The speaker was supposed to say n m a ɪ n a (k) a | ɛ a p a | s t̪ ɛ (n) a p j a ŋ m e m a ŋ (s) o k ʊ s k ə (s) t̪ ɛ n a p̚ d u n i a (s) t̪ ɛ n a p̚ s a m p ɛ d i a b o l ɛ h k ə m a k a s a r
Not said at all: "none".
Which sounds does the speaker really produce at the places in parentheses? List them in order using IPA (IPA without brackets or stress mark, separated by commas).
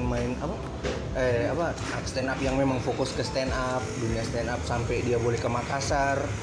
p, n, f, s, s